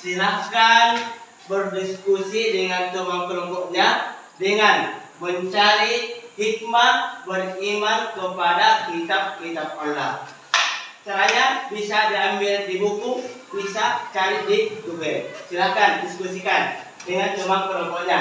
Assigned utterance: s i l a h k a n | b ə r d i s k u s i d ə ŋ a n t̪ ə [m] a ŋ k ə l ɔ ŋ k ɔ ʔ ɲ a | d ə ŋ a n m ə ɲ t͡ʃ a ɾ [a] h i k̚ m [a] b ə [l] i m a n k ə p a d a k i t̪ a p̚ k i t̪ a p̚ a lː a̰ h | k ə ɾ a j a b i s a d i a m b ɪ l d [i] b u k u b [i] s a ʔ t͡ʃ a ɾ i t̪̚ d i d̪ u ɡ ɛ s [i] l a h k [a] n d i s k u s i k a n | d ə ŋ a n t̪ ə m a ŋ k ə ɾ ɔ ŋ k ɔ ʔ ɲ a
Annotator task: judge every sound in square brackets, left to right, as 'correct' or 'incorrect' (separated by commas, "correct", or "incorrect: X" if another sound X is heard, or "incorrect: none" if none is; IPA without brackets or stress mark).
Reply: correct, incorrect: i, correct, incorrect: r, correct, correct, correct, correct